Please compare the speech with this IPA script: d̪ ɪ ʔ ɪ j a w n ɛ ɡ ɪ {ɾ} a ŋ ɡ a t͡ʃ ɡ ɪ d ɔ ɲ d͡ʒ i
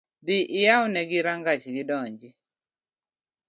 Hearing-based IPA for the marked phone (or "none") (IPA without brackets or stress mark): ɾ